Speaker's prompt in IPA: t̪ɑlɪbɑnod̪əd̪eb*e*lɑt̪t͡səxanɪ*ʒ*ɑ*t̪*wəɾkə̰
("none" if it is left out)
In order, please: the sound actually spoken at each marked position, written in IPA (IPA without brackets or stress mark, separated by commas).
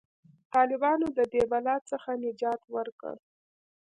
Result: a, d͡ʒ, t̪